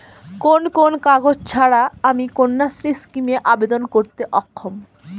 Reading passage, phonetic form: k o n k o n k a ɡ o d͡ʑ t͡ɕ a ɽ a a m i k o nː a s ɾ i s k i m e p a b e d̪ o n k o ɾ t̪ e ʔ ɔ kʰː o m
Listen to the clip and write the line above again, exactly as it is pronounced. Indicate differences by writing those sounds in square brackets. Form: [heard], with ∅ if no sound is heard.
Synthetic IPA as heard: k o n k o n k a ɡ o d͡ʑ [t͡ɕʰ] a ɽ a a m i k o nː a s ɾ i s k i m e [ʔ] a b e d̪ o n k o ɾ t̪ e ʔ ɔ kʰː o m